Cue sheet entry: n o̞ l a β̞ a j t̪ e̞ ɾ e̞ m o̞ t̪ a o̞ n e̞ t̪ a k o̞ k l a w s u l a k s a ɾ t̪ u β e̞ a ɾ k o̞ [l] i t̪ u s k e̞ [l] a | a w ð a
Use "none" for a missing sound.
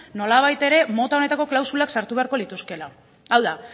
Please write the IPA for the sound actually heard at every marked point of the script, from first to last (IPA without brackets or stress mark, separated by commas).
l, l